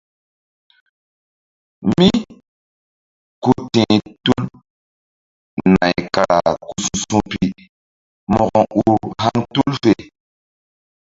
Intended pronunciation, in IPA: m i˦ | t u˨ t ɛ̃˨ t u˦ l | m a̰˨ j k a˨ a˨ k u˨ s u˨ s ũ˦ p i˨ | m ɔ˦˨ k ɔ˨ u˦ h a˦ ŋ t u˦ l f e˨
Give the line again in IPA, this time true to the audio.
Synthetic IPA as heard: m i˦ | k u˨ t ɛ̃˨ t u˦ l | n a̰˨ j k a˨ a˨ k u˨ s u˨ s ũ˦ p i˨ | m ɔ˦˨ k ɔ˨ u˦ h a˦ ŋ t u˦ l f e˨